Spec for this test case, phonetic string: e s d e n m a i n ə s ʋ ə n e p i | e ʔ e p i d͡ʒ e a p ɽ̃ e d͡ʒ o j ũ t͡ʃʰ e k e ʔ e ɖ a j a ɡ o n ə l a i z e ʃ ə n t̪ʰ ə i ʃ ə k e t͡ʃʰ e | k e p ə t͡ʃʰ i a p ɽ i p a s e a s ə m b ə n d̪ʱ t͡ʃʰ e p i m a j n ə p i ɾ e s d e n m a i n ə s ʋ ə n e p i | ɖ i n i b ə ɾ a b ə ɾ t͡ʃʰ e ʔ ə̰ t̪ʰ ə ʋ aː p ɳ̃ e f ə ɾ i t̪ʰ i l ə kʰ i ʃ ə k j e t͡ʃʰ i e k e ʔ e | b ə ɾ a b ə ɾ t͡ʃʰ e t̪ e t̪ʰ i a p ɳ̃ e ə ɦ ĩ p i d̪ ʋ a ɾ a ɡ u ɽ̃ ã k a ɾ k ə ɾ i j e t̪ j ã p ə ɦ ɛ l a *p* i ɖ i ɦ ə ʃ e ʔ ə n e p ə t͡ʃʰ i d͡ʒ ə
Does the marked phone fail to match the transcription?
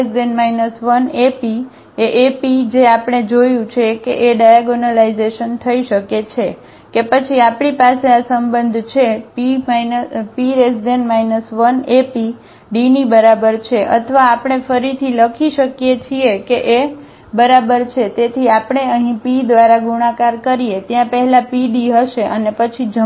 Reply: no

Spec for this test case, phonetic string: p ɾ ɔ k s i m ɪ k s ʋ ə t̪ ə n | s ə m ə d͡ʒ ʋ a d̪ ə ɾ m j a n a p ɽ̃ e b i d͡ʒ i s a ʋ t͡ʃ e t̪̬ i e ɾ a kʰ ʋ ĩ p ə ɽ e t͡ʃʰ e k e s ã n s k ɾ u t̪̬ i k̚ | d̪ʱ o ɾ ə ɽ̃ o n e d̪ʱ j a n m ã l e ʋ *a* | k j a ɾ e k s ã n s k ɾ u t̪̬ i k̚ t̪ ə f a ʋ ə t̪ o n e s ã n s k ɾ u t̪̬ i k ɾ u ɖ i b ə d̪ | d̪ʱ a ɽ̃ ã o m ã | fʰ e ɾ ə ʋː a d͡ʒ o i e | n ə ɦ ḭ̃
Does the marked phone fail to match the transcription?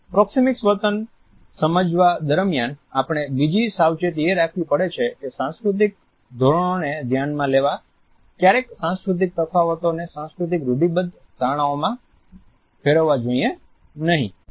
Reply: no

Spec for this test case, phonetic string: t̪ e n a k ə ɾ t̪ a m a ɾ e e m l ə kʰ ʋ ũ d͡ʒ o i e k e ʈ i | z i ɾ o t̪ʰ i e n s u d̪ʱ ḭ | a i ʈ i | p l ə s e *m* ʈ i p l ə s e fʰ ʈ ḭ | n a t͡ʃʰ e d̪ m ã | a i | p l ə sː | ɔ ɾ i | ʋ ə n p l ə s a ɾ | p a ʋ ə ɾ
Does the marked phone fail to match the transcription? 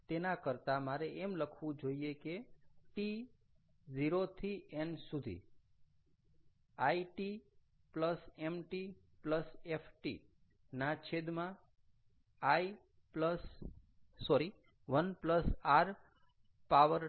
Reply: no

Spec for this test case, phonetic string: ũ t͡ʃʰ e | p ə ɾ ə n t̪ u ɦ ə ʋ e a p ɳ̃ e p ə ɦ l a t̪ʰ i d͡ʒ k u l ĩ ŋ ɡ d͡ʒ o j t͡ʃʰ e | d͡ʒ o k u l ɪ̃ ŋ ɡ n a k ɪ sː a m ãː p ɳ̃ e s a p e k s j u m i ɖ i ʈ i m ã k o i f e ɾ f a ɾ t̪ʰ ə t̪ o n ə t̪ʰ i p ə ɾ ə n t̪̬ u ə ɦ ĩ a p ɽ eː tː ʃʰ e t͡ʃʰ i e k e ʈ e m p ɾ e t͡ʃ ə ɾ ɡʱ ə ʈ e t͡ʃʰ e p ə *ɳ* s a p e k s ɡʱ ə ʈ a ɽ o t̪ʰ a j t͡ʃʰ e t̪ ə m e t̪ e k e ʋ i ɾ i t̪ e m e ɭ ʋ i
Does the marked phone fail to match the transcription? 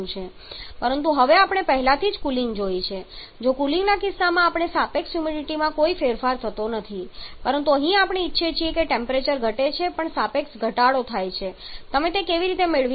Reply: no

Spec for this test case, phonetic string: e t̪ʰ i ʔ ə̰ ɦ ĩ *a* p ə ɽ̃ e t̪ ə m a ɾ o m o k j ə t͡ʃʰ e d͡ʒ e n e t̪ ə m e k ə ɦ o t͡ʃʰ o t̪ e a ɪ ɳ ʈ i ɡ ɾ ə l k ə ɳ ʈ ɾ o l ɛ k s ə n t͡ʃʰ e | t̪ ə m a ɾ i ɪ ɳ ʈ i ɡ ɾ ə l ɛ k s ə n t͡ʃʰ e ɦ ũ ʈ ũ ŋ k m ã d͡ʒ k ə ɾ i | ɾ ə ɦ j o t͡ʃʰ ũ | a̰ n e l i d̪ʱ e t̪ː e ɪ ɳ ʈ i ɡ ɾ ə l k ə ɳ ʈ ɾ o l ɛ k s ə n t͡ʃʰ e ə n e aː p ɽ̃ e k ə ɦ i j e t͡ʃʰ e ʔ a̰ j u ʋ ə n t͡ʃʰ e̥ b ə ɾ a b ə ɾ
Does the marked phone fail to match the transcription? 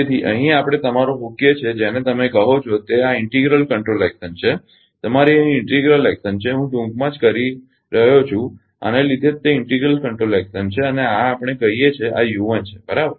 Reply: no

